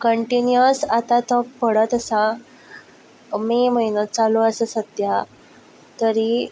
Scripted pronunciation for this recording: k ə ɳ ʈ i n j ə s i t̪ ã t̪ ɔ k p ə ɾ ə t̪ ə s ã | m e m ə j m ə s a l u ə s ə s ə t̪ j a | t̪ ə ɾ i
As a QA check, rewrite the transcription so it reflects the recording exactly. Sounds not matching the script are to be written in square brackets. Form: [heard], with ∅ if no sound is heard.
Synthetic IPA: k ə ɳ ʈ i n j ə s [a] t̪ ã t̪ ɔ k p ə [ɽ] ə t̪ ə s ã | m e m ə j [n] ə [t͡s] a l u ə s ə s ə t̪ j a | t̪ ə ɾ i